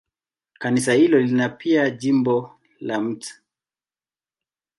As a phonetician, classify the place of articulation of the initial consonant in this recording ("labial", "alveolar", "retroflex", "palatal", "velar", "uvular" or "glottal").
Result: velar